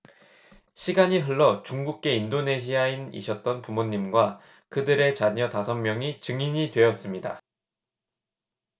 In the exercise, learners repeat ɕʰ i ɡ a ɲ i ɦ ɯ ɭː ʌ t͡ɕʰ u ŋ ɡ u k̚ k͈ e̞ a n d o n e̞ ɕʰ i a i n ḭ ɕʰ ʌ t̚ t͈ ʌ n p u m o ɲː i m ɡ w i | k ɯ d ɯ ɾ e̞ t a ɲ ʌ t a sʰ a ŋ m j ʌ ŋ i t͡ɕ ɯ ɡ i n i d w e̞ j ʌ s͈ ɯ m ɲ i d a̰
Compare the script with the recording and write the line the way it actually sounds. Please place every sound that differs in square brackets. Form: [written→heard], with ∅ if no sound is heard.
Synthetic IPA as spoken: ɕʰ i ɡ a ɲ i ɦ ɯ ɭː ʌ [t͡ɕʰ→t͡ɕ] u ŋ ɡ u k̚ k͈ e̞ [a→i] n d o n e̞ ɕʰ i a i n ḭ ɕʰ ʌ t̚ t͈ ʌ n p u m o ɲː i m ɡ w [i→a] | k ɯ d ɯ ɾ e̞ [t→t͡ɕ] a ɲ ʌ t a sʰ [a→ʌ] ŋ m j ʌ ŋ i t͡ɕ ɯ [ɡ→ŋ] i [n→ɲ] i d w e̞ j ʌ s͈ ɯ m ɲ i d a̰